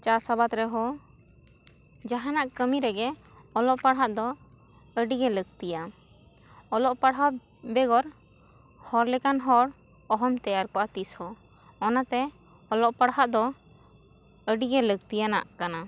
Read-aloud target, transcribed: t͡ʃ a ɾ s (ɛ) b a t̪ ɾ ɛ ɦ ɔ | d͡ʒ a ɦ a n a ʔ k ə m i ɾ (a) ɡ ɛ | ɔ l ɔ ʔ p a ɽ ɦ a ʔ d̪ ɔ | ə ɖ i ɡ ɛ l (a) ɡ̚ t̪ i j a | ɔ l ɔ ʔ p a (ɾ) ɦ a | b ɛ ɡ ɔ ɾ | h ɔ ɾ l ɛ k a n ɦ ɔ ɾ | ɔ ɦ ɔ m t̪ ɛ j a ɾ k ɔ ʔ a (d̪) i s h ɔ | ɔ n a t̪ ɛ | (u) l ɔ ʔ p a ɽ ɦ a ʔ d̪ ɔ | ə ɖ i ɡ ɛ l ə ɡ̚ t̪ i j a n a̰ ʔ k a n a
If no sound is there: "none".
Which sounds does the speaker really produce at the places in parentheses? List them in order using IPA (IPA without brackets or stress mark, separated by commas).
a, ɛ, ə, ɽ, t̪, ɔ